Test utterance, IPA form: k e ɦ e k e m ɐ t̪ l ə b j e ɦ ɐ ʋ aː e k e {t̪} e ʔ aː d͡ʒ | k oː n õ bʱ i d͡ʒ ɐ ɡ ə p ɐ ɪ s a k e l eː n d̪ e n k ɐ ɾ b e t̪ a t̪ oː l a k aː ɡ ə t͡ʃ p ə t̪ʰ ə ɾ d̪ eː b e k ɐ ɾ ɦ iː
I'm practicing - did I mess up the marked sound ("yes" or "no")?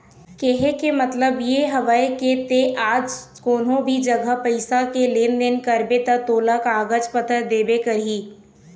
no